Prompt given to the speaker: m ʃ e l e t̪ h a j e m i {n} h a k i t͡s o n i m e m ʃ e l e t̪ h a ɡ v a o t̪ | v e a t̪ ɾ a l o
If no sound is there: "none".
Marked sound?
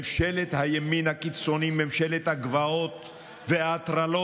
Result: n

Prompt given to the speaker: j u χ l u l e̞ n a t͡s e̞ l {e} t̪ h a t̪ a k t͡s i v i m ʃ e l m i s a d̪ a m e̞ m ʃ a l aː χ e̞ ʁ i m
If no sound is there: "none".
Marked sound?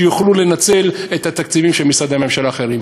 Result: e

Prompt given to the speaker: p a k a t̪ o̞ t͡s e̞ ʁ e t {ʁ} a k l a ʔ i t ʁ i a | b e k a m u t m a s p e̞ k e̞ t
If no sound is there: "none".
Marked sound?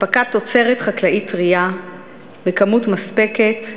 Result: χ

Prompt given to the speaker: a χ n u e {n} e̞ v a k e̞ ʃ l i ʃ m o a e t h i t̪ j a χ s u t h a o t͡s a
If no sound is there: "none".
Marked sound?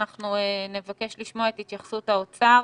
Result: n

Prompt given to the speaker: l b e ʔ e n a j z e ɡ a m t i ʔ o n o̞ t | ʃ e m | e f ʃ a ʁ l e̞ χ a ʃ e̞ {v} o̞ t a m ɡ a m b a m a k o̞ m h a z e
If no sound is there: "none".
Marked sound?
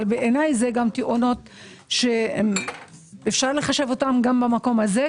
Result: v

